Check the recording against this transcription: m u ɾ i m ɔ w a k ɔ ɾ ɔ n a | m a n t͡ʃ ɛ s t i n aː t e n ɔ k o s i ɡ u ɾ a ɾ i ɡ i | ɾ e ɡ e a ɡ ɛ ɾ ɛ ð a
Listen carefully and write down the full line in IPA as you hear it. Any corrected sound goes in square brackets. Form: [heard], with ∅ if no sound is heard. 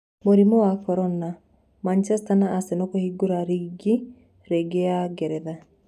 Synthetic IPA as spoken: m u ɾ i m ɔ w a k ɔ ɾ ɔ n a | m a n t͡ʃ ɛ s t [a] n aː [s] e n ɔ k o [h] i ɡ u ɾ a ɾ i ɡ i | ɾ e ɡ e a ɡ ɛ ɾ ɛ ð a